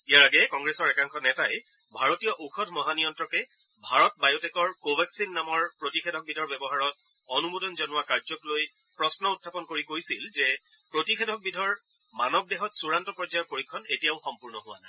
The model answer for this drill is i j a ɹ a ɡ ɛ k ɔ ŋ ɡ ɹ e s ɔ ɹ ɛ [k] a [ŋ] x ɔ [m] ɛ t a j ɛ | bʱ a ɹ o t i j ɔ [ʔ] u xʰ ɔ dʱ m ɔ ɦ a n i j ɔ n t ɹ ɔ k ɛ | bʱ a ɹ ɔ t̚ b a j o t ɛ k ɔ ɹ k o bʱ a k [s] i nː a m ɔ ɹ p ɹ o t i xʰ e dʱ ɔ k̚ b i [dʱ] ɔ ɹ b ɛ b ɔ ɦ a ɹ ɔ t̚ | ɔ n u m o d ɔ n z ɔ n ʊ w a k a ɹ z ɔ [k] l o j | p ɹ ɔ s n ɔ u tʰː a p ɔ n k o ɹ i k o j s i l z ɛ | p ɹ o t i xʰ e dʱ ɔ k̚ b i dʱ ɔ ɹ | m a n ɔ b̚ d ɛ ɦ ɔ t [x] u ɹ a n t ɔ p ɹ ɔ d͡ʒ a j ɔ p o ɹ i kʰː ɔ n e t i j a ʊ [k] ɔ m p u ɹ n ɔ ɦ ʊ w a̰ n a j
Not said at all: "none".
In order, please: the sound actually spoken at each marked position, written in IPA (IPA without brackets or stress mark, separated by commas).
k, ŋ, n, ʔ, s, dʱ, k, s, x